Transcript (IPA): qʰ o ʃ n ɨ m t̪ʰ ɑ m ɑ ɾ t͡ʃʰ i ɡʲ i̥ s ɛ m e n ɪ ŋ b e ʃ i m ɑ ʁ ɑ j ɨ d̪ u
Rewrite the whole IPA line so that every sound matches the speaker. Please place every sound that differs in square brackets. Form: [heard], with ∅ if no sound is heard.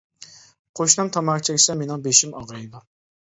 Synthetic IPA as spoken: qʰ o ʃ n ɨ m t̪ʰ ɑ m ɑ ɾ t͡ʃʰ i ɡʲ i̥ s ɛ m e n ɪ ŋ b e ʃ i m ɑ ʁ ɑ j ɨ d̪ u